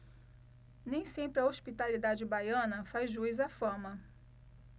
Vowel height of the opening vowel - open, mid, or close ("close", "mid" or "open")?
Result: mid